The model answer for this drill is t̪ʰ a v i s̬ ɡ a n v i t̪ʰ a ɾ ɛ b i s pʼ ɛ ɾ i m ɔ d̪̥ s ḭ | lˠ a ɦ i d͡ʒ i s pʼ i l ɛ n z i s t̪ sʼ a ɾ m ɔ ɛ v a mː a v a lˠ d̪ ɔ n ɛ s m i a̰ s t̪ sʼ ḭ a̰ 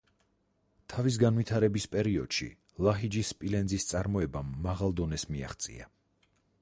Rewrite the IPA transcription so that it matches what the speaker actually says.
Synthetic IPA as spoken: t̪ʰ a v i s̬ ɡ a n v i t̪ʰ a ɾ ɛ b i s pʼ ɛ ɾ i ɔ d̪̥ ʃ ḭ | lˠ a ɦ i d͡ʒ i s pʼ i l ɛ n z i s t̪ sʼ a ɾ m ɔ ɛ b a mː a ʁ a lˠ d̪ ɔ n ɛ s m i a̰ χ t̪ sʼ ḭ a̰